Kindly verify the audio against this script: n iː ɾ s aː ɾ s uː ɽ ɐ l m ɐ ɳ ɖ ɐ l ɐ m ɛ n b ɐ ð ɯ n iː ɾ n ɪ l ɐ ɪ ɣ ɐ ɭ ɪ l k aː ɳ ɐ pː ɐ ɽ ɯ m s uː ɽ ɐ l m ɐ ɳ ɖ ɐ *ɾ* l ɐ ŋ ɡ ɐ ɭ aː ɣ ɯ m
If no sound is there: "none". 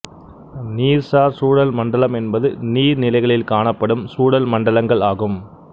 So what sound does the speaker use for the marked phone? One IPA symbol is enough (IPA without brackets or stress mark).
none